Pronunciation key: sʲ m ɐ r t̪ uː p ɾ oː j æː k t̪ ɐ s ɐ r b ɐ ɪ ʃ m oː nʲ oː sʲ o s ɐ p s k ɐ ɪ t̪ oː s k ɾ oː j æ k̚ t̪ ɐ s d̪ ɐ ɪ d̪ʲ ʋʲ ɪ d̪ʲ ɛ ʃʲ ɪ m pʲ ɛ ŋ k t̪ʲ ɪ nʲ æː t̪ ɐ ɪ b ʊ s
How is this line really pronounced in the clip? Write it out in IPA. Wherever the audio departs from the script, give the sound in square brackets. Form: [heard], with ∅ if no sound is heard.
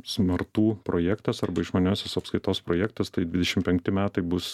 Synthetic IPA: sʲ m ɐ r t̪ uː p ɾ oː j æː k t̪ ɐ s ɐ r b ɐ ɪ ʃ m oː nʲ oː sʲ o s ɐ p s k ɐ ɪ t̪ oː s [p] ɾ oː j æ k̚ t̪ ɐ s [t̪] ɐ ɪ d̪ʲ ʋʲ ɪ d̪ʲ ɛ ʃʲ ɪ m pʲ ɛ ŋ k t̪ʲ ɪ [mʲ] æː t̪ ɐ ɪ b ʊ s